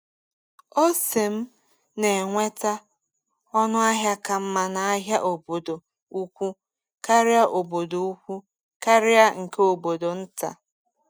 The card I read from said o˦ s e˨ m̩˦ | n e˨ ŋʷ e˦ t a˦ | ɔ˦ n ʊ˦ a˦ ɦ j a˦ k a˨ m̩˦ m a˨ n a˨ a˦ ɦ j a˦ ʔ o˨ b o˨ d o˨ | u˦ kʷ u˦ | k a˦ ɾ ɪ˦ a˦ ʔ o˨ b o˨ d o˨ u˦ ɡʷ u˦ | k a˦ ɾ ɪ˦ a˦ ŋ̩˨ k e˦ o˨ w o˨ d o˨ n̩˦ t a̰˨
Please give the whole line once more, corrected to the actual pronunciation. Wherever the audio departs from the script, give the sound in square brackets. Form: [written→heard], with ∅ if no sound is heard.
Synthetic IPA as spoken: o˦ s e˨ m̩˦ | n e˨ ŋʷ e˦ t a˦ | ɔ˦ n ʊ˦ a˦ ɦ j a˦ k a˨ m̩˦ m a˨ n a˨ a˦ ɦ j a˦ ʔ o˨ b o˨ d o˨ | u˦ kʷ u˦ | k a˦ ɾ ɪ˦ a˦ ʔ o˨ b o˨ d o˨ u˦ [ɡʷ→kʷ] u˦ | k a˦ ɾ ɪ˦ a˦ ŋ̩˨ k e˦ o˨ [w→b] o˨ d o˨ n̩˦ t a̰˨